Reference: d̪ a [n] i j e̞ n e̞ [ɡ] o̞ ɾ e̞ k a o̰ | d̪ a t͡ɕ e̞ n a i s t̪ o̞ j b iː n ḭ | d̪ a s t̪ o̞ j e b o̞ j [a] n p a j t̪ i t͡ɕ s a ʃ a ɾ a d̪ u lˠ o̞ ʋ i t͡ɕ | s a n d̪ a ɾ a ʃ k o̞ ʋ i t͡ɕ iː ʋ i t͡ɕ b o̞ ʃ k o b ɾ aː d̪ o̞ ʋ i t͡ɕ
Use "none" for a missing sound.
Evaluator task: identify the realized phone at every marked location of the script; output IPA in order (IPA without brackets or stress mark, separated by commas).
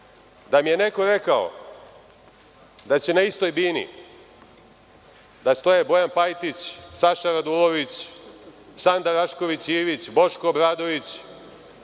m, k, a